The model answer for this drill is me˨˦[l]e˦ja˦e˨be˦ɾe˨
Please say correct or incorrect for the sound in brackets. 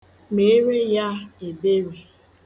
incorrect